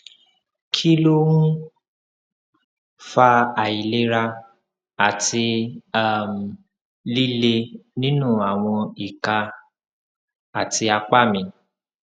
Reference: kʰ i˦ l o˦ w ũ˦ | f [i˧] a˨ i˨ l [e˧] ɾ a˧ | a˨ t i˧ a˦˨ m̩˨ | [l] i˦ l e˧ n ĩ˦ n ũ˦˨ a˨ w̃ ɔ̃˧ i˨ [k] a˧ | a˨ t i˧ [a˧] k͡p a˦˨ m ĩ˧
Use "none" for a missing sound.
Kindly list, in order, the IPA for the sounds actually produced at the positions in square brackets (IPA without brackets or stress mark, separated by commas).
a˧, e˧, l, k, a˧